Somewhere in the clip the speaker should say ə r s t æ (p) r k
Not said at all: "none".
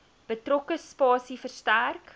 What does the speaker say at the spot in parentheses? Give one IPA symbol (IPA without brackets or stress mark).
none